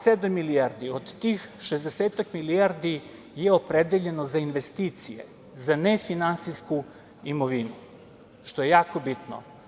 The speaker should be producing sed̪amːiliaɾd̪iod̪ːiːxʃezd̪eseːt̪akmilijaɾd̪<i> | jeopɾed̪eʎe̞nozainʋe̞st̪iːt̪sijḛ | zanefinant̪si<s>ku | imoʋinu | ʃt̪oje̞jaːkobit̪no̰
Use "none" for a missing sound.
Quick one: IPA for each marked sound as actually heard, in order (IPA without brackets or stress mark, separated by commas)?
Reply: i, s